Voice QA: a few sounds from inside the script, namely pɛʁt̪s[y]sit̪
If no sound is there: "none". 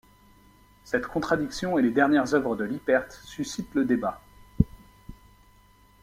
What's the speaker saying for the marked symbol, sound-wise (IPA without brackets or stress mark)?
y